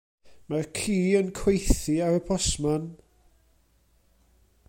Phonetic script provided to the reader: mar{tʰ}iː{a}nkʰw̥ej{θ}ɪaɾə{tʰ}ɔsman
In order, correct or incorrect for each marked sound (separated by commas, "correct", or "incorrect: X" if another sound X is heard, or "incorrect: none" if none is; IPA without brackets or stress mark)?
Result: incorrect: kʰ, incorrect: ə, correct, incorrect: pʰ